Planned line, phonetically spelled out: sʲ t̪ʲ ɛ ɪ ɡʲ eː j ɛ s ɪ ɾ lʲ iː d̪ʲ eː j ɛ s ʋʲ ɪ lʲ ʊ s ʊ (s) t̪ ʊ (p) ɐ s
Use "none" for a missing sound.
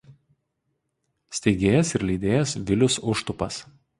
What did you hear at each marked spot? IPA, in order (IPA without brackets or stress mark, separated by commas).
ʃ, p